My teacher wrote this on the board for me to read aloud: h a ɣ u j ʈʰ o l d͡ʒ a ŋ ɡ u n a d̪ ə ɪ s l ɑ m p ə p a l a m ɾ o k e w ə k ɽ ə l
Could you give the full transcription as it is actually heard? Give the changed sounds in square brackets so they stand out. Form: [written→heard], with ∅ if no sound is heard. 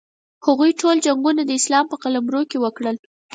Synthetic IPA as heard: h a ɣ u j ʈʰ o l d͡ʒ a ŋ ɡ u n a d̪ ə ɪ s l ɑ m p ə [p→q] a l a m ɾ o k e w ə k ɽ ə l